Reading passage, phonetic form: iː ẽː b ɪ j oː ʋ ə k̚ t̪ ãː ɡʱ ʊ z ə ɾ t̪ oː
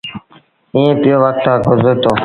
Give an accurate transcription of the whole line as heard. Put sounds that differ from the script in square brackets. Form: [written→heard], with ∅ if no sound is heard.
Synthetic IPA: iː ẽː [b→p] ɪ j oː ʋ ə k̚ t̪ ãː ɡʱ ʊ z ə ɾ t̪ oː